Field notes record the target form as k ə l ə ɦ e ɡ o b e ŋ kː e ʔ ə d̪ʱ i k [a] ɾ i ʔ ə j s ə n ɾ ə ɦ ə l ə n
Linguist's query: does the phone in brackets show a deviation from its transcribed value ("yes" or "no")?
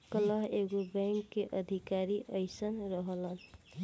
no